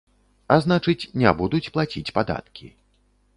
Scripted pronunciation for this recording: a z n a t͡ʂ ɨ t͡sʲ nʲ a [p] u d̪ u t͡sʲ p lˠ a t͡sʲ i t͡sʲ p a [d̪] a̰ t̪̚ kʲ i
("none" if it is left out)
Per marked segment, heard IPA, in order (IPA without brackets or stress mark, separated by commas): b, d̪